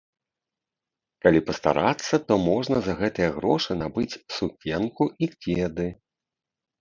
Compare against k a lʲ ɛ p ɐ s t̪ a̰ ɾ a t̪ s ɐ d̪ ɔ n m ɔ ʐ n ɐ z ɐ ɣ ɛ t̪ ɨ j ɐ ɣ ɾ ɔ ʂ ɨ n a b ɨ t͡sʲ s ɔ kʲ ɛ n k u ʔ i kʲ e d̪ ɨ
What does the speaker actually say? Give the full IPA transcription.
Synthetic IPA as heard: k a lʲ i p ɐ s t̪ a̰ ɾ a t̪ sː ɐ t̪ ɔ m ɔ ʐ n ɐ z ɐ ɣ ɛ t̪ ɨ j ɐ ɣ ɾ ɔ ʂ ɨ n a b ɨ t͡sʲ s u kʲ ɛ n k u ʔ i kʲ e d̪ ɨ